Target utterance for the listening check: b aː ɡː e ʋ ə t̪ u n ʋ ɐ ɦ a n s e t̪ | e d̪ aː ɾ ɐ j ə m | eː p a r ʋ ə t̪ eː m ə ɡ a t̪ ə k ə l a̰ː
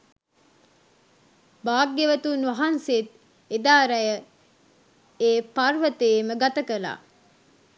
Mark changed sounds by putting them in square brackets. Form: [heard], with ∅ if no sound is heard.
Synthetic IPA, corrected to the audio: b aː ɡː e ʋ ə t̪ u n ʋ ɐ ɦ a n s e t̪ | e d̪ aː ɾ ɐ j ə [∅] | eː p a r ʋ ə t̪ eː m ə ɡ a t̪ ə k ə l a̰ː